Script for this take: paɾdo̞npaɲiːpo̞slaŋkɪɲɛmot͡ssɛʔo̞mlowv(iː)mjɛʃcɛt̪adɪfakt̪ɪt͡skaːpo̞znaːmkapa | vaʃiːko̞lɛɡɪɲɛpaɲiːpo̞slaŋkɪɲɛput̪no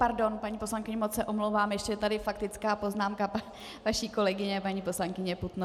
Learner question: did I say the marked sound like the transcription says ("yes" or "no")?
no